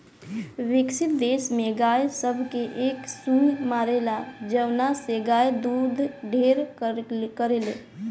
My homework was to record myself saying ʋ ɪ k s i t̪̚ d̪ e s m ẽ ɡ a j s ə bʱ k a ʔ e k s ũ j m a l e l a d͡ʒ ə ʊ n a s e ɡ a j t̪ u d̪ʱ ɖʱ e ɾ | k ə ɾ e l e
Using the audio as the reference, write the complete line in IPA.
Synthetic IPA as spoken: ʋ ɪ k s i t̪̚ d̪ e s m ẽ ɡ a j s ə bʱ k e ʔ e k s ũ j m a ɾ e l a d͡ʒ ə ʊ n a s e ɡ a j d̪ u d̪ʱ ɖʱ e ɾ | k ə ɾ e l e